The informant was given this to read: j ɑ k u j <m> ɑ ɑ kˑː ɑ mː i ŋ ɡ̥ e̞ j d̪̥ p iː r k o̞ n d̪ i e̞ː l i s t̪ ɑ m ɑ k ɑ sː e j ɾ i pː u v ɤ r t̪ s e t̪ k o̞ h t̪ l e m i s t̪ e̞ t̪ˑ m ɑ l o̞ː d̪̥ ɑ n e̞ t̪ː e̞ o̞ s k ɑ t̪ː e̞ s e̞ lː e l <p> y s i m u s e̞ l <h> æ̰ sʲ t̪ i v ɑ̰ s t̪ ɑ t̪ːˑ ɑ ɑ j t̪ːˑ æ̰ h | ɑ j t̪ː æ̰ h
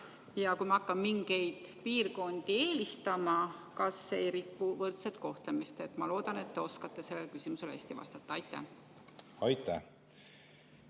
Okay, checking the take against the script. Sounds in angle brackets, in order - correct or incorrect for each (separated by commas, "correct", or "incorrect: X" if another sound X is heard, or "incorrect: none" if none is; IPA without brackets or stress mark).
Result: correct, incorrect: k, correct